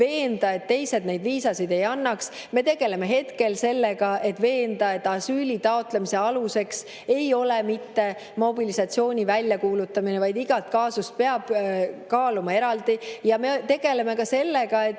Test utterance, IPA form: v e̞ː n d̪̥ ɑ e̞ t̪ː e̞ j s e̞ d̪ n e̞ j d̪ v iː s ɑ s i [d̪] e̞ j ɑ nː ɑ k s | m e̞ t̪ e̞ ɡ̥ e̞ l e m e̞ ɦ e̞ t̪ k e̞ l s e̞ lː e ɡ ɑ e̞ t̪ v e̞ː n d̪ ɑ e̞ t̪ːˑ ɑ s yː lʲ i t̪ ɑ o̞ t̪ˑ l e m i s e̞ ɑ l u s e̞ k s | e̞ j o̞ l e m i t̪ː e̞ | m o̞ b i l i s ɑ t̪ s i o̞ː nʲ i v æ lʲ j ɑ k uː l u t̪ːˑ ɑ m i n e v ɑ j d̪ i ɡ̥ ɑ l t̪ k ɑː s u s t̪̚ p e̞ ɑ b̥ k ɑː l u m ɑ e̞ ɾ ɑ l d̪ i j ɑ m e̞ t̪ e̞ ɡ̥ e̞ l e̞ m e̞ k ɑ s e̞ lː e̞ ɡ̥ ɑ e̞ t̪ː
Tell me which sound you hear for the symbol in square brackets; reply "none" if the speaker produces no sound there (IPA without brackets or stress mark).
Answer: d̪